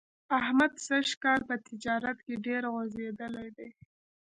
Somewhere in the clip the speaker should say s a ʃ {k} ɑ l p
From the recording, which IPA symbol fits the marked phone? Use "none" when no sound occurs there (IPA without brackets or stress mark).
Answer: k